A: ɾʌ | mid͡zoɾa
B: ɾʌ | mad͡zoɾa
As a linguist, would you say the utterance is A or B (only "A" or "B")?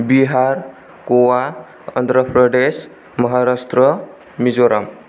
A